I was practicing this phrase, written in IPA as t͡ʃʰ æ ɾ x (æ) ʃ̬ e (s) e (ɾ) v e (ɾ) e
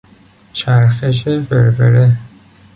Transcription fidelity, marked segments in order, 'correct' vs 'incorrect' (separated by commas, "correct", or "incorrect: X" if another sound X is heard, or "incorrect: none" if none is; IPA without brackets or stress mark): incorrect: e, incorrect: f, correct, correct